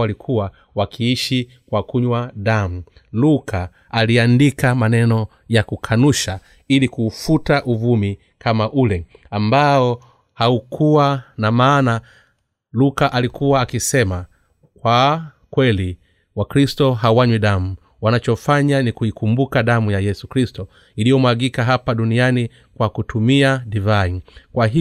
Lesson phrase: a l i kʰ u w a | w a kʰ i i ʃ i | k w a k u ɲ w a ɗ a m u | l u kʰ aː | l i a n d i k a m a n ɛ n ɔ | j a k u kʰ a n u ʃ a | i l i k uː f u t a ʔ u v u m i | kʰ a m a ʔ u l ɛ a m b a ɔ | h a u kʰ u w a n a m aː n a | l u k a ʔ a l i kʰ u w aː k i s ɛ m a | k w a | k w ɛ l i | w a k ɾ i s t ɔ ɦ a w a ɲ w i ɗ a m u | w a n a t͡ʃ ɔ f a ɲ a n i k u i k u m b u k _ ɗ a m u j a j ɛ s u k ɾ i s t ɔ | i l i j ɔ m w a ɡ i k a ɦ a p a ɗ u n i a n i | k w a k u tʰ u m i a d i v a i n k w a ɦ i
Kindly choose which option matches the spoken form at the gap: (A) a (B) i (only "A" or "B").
A